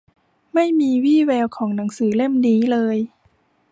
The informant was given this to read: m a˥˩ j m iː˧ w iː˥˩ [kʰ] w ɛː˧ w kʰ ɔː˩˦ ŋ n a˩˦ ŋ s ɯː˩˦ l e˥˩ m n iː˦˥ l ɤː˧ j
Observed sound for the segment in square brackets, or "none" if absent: none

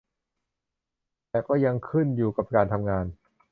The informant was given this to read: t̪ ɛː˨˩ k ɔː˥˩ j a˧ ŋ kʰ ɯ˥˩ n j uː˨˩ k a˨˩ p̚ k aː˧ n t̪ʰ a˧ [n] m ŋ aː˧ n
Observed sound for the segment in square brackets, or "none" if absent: none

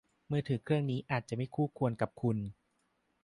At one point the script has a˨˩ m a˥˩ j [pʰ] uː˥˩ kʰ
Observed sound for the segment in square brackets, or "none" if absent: kʰ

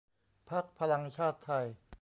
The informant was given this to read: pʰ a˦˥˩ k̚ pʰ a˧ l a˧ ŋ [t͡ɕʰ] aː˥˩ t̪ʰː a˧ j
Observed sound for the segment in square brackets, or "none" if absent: t͡ɕʰ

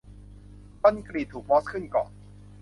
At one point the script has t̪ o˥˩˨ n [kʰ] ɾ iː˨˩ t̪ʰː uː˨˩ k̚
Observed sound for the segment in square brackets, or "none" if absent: k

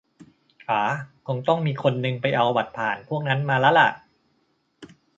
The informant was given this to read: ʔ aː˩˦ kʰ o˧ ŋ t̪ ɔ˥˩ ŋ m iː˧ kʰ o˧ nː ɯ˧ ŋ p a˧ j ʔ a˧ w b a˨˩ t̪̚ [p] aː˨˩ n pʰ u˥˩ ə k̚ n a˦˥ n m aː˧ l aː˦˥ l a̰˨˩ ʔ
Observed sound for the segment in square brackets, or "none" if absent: pʰ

